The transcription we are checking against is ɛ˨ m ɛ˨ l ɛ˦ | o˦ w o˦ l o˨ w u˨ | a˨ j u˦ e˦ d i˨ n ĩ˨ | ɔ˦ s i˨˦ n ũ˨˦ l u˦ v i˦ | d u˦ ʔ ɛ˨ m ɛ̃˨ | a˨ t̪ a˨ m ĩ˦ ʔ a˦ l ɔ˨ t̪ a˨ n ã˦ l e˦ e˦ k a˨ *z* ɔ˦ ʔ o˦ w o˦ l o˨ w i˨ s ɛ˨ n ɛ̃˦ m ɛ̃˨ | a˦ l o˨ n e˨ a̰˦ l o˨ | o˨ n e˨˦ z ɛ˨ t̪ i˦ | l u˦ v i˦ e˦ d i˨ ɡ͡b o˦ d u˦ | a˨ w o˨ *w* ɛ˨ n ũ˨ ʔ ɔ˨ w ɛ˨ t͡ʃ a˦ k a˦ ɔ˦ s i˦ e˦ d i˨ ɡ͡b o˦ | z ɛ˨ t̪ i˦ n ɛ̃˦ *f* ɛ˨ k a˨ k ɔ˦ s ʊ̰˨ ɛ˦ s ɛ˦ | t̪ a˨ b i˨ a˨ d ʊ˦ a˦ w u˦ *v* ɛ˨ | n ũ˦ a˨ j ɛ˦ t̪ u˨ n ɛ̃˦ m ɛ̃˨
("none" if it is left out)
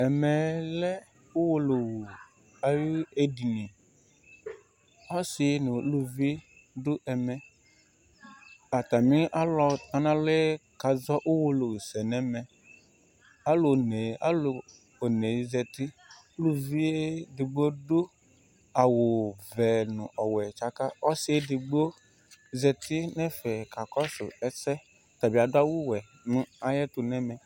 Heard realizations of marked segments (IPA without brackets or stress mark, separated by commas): z, v, f, w